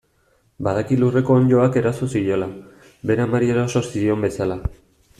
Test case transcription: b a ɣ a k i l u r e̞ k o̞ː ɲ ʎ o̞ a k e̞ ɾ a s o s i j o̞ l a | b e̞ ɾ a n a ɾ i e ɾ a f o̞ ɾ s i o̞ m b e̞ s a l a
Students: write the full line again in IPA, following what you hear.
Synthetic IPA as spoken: b a ð a k i l u r e̞ k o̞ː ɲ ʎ o̞ a k e̞ ɾ a s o s i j o̞ l a | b e̞ ɾ a m a ɾ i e ɾ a s o̞ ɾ s i o̞ m b e̞ s a l a